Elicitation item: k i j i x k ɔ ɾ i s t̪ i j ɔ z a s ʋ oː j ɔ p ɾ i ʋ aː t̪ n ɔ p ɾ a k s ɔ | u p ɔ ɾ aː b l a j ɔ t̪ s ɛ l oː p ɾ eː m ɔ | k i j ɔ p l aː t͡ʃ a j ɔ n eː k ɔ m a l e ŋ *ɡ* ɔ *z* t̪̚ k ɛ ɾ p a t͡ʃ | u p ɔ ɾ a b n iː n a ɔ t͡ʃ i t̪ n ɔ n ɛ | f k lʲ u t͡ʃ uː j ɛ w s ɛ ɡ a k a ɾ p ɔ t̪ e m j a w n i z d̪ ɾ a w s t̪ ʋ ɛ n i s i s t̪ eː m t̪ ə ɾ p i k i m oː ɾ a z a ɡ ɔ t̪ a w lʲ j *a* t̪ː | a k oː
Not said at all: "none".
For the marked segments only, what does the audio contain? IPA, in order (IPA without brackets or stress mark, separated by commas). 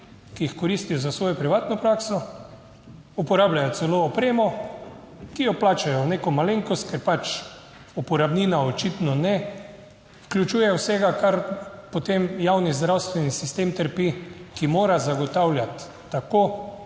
k, s, a